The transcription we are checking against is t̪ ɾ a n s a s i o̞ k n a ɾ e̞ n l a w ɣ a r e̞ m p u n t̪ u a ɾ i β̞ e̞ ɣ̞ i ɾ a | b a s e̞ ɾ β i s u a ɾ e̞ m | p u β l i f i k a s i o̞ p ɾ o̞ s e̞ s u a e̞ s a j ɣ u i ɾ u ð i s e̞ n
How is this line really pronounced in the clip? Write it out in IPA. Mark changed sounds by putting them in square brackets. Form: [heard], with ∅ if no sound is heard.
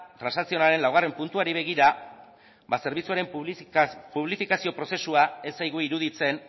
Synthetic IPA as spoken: t̪ ɾ a n s a s i o̞ [∅] n a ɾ e̞ n l a w ɣ a r e̞ m p u n t̪ u a ɾ i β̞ e̞ ɣ̞ i ɾ a | b a s e̞ ɾ β i [t͡s] u a ɾ e̞ m | p u β l i f i k a s i o̞ p ɾ o̞ s e̞ s u a e̞ s a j ɣ u i ɾ u ð i [t͡s] e̞ n